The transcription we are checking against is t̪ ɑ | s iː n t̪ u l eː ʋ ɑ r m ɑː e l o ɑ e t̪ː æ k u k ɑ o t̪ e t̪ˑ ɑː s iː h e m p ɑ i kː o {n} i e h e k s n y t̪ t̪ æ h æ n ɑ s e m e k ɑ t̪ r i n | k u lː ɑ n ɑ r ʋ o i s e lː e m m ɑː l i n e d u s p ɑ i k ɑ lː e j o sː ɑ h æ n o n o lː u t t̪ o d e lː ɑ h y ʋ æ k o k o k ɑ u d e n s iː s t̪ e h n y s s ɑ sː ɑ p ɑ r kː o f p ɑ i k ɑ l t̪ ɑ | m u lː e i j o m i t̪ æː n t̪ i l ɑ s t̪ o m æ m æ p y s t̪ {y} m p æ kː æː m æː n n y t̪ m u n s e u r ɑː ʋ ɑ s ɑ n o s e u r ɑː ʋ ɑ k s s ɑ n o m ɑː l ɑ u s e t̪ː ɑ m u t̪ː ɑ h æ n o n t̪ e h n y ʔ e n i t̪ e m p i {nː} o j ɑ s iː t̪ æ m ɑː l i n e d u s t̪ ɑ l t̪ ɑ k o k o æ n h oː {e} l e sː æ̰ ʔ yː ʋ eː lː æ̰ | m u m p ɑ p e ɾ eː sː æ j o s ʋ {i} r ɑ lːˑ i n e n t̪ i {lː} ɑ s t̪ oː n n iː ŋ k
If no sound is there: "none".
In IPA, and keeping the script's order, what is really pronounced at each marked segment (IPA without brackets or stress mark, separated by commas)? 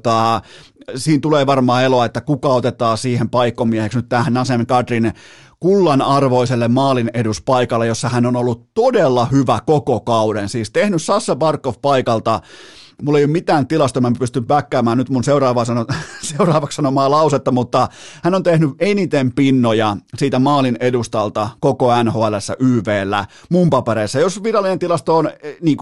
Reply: m, y, nː, æ, i, l